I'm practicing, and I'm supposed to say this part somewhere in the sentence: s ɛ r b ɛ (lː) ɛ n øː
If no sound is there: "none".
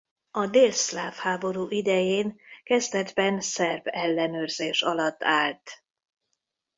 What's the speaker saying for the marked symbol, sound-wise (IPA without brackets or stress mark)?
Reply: lː